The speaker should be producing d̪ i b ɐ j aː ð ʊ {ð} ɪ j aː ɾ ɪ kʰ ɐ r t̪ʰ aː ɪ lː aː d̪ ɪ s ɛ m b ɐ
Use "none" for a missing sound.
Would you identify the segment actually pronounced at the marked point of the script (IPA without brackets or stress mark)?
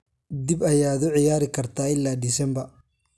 ʕ